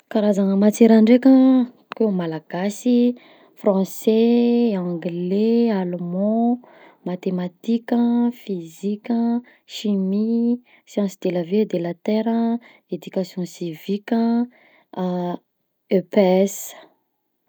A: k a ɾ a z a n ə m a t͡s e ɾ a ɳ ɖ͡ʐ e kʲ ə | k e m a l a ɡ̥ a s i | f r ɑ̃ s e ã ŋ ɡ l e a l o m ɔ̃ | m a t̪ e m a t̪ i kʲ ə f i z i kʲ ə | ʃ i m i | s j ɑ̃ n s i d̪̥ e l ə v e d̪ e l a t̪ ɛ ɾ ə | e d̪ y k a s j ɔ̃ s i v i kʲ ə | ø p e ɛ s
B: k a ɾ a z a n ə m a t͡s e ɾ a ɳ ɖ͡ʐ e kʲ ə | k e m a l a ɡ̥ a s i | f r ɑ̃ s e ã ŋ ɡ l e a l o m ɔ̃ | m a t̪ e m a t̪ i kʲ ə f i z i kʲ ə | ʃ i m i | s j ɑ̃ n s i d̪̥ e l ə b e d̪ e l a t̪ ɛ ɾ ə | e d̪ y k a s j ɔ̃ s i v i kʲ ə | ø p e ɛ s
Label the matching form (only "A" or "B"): A